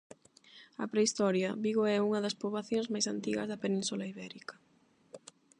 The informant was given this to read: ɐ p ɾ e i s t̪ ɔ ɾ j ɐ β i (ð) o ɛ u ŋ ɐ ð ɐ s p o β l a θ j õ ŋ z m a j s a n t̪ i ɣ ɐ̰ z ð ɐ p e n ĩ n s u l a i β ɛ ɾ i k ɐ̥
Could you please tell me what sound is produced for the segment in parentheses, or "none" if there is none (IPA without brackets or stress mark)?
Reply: ɣ